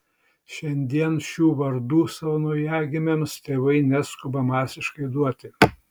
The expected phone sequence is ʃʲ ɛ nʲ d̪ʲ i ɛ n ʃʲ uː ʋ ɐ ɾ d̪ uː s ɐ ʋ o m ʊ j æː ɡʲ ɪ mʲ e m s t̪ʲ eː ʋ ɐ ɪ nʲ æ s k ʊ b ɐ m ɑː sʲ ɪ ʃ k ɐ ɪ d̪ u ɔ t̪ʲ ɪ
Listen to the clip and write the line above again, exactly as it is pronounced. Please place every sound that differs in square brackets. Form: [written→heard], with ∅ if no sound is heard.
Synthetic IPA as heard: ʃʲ ɛ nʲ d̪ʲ i ɛ n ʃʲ uː ʋ ɐ ɾ d̪ uː s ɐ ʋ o [m→n] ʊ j æː ɡʲ ɪ mʲ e m s t̪ʲ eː ʋ ɐ ɪ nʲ æ s k ʊ b ɐ m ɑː sʲ ɪ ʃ k ɐ ɪ d̪ u ɔ t̪ʲ ɪ